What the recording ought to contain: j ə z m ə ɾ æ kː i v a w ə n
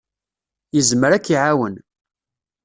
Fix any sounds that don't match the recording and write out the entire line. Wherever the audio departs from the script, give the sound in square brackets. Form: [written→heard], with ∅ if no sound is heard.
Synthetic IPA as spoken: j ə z m ə ɾ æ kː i [v→ʕ] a w ə n